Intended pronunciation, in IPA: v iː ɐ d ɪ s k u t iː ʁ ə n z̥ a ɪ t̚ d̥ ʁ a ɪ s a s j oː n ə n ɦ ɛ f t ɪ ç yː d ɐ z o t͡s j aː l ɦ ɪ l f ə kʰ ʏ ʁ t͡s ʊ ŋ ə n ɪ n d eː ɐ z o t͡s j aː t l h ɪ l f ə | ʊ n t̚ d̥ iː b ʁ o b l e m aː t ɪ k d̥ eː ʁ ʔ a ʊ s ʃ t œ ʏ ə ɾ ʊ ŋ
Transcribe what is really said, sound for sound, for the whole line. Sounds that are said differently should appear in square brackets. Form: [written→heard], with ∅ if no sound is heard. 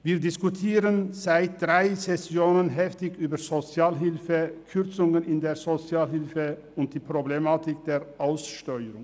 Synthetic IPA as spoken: v iː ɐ d ɪ s k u [t→tʰ] iː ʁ ə n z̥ a ɪ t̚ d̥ ʁ a ɪ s [a→ɛ] s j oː n ə n ɦ ɛ f t ɪ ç yː [d→b] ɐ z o t͡s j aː l ɦ ɪ l f ə kʰ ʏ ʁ t͡s ʊ ŋ ə n ɪ n d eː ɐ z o t͡s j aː [t→∅] l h ɪ l f ə | ʊ n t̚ d̥ iː [b→p] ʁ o b l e m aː t ɪ k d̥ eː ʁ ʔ a ʊ s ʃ t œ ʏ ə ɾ ʊ ŋ

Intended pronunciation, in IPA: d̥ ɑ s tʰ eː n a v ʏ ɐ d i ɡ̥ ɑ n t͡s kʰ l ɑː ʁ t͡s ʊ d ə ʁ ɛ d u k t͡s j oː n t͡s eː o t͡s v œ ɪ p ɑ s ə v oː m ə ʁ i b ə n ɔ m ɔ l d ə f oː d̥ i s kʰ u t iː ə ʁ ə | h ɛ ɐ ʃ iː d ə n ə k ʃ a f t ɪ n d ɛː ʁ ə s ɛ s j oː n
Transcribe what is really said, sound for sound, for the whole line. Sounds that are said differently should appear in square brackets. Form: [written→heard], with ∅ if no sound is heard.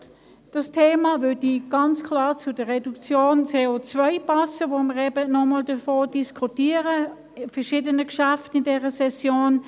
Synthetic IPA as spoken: d̥ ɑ s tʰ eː [n→m] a v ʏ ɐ d i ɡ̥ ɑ n t͡s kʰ l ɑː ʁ t͡s ʊ d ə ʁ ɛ d u k t͡s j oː n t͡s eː o t͡s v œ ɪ p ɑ s ə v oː m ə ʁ [i→ɛ] b ə n ɔ m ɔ l d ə f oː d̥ i s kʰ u t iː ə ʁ ə | [h→f] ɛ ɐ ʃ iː d ə n ə k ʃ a f t ɪ n d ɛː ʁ ə s ɛ s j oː n

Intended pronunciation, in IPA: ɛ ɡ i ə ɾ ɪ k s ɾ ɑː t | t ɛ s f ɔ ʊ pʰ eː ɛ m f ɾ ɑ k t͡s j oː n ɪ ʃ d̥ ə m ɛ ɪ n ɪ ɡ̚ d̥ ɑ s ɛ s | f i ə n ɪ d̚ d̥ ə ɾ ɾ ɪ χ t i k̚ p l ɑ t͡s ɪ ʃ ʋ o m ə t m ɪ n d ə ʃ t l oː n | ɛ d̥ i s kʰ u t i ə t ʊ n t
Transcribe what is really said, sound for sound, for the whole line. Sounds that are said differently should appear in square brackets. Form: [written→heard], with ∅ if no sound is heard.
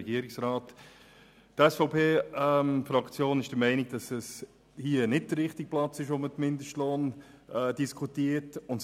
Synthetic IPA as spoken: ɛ ɡ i ə ɾ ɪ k s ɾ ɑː t | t ɛ s f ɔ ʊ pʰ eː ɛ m f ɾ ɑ k t͡s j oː n ɪ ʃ d̥ ə m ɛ ɪ n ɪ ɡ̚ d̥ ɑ s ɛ s | [f→h] i ə n ɪ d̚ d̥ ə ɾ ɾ ɪ χ t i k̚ p l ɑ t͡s ɪ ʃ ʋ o m ə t m ɪ n d ə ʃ t l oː n | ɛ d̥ i s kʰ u t i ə t ʊ n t

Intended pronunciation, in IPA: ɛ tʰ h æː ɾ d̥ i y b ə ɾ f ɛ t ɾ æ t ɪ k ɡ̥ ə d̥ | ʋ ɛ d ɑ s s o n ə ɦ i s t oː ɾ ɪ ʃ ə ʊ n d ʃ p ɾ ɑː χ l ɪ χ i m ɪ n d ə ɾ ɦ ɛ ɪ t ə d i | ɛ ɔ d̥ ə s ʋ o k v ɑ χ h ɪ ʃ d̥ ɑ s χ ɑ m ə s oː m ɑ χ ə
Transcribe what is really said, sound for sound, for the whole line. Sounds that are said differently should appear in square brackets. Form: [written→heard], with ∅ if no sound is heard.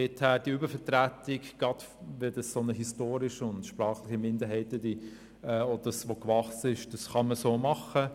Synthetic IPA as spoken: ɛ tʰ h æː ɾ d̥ i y b ə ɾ f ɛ t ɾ æ t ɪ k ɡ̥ [ə→ɑ] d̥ | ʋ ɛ d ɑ s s o n ə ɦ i s t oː ɾ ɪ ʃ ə ʊ n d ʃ p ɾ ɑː χ l ɪ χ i m ɪ n d ə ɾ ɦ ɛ ɪ t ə d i | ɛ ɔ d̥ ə s ʋ o k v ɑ χ [h→s] ɪ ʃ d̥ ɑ s χ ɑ m ə s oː m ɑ χ ə

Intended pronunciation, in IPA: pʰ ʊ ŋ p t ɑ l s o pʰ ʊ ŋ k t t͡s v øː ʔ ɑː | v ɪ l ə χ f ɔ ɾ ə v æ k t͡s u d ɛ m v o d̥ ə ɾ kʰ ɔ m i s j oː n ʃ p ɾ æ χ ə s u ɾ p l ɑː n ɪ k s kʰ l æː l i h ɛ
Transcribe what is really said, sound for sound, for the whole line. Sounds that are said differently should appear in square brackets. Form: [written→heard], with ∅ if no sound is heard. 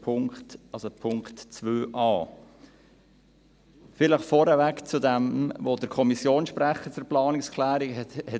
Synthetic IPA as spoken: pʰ ʊ ŋ [p→k] t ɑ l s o pʰ ʊ ŋ k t t͡s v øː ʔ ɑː | [v→f] ɪ l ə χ f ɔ ɾ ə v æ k t͡s u d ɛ m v o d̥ ə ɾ kʰ ɔ m i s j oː n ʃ p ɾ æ χ ə [s→t͡s] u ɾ p l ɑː n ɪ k s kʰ l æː [l→ɾ] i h ɛ

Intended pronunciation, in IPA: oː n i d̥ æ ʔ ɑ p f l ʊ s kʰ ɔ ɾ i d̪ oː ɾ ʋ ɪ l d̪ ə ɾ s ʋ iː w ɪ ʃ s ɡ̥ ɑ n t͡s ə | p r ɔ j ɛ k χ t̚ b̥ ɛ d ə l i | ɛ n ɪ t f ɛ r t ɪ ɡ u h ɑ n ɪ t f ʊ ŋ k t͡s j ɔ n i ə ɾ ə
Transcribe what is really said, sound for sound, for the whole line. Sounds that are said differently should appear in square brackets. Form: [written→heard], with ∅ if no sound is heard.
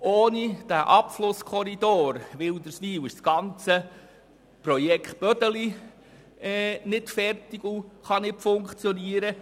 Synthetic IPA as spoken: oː n i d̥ æ ʔ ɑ p f l ʊ s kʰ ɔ ɾ i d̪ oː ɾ ʋ ɪ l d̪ ə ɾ s ʋ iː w ɪ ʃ s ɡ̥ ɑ n t͡s ə | p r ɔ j ɛ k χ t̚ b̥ [ɛ→œ] d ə l i | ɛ n ɪ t f ɛ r t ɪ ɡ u [h→χ] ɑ n ɪ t f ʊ ŋ k t͡s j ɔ n i ə ɾ ə

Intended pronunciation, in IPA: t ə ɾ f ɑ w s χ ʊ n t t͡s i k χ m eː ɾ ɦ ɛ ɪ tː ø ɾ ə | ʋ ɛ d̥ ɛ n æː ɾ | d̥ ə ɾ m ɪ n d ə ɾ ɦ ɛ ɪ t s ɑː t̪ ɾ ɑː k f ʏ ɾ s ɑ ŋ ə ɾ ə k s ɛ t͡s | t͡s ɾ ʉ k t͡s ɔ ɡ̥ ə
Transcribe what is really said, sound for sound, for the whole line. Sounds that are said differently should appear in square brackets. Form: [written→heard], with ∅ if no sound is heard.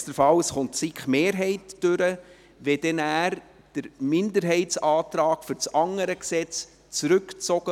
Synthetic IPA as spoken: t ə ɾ f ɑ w s χ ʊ n t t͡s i k χ m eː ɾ ɦ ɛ ɪ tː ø ɾ ə | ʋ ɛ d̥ ɛ n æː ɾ | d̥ ə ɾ m ɪ n d ə ɾ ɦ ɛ ɪ t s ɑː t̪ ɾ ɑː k f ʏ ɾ [s→t͡s] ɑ ŋ ə ɾ ə k s ɛ t͡s | t͡s ɾ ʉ k t͡s ɔ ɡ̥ ə

